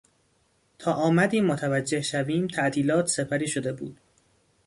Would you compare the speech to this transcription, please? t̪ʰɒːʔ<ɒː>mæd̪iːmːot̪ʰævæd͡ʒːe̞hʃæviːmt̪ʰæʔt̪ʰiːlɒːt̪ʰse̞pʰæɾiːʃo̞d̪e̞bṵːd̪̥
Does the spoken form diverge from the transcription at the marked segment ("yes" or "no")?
no